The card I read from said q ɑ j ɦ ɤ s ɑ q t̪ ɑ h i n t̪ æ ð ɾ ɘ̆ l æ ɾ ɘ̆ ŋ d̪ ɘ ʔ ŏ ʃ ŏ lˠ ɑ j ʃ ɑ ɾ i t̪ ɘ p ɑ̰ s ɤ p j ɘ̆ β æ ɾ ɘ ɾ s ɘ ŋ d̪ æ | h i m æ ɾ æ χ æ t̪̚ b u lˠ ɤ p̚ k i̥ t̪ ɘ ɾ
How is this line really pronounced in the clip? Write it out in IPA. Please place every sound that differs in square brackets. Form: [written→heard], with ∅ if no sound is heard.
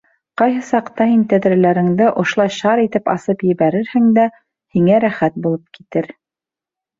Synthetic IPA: q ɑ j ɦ ɤ s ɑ q t̪ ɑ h i n t̪ æ ð ɾ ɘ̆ l æ ɾ ɘ̆ ŋ d̪ ɘ ʔ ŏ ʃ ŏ lˠ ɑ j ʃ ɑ ɾ i t̪ ɘ p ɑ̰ s ɤ p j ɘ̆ β æ ɾ ɘ ɾ [s→h] ɘ ŋ d̪ æ | h i [m→ŋ] æ ɾ æ χ æ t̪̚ b u lˠ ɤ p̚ k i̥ t̪ ɘ ɾ